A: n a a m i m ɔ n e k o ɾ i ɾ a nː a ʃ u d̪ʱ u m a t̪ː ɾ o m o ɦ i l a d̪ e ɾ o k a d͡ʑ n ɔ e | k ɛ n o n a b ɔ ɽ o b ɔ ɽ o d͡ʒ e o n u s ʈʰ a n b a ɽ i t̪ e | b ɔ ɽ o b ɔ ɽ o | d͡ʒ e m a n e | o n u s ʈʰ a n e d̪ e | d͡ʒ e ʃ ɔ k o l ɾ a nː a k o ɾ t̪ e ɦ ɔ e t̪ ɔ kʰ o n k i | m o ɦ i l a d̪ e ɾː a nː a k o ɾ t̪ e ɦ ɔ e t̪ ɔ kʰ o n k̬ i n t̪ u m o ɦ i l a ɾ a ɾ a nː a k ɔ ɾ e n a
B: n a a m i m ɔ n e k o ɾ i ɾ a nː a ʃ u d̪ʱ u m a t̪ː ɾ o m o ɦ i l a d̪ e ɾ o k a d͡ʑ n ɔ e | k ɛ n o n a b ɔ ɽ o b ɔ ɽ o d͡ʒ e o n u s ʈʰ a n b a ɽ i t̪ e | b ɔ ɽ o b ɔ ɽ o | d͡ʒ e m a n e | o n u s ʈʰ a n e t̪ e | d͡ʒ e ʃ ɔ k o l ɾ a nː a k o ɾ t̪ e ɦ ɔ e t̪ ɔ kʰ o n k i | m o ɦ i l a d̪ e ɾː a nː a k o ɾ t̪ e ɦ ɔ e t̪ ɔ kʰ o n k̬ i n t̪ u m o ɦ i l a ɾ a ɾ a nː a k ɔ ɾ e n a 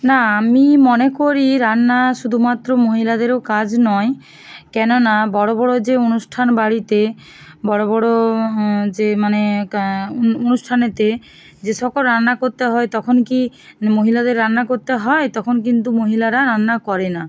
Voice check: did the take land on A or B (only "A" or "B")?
B